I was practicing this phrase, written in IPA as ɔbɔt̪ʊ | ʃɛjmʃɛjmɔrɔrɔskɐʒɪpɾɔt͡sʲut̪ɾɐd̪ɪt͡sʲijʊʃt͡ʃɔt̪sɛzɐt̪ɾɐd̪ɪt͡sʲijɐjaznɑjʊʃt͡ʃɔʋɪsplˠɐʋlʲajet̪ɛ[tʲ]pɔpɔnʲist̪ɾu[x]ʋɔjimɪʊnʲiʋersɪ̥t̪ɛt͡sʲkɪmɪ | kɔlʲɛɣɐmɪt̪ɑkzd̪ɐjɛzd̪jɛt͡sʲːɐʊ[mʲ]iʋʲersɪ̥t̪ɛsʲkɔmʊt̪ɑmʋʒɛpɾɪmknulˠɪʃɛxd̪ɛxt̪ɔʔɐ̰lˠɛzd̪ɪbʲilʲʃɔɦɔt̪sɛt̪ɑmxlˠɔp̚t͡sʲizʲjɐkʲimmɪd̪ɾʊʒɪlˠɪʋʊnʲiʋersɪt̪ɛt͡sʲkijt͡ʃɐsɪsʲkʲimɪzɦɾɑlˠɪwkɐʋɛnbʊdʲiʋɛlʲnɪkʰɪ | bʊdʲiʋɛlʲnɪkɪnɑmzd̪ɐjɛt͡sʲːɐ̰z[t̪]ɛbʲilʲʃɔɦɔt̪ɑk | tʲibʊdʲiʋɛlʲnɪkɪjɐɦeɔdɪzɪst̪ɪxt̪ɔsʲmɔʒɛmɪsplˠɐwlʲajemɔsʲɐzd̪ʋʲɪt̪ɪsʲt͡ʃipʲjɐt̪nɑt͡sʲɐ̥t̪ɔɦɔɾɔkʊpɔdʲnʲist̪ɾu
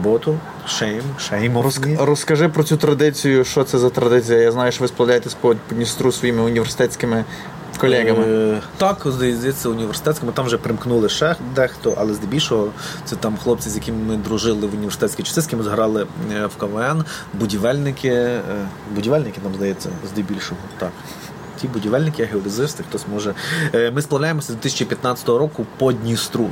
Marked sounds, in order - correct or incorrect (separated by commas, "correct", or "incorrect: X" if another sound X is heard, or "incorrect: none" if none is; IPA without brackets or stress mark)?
incorrect: sʲ, incorrect: s, incorrect: nʲ, incorrect: d̪